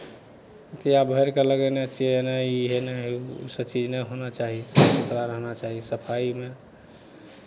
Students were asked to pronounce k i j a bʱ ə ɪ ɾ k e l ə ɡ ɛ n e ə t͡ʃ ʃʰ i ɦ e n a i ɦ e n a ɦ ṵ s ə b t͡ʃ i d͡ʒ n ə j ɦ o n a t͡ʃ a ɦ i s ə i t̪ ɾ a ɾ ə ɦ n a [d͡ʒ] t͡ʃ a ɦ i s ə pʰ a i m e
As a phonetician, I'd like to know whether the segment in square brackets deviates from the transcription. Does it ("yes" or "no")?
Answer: yes